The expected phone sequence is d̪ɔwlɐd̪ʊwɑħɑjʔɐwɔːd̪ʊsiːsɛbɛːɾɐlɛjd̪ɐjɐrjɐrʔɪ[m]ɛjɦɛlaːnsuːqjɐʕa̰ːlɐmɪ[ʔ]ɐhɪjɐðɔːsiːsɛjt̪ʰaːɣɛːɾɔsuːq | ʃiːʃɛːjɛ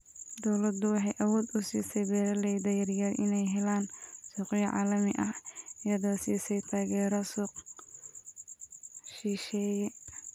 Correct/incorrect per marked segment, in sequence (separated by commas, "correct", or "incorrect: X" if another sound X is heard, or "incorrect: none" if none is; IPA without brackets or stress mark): incorrect: n, correct